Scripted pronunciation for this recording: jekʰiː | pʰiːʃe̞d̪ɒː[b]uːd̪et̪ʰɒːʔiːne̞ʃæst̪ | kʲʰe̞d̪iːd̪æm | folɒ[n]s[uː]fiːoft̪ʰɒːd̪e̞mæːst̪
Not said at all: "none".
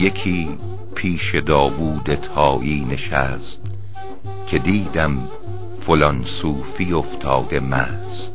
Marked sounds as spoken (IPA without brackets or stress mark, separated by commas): v, n, uː